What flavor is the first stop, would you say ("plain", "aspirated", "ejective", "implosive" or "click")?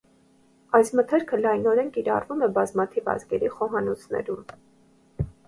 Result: aspirated